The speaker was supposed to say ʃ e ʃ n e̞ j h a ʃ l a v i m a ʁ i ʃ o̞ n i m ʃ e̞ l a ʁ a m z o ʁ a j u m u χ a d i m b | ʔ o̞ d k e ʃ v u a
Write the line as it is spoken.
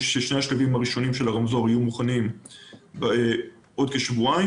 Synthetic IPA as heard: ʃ e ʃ n e̞ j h a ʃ l a v i m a ʁ i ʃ o̞ n i m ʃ e̞ l a ʁ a m z o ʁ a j u m u χ a n i m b | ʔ o̞ d k e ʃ v u a